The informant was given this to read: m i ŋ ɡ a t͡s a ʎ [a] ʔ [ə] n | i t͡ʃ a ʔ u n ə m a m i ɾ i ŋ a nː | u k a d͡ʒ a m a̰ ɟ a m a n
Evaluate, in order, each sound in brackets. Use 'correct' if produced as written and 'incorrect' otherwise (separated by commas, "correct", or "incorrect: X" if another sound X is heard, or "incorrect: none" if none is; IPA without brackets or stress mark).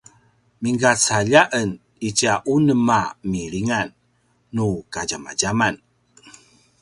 correct, correct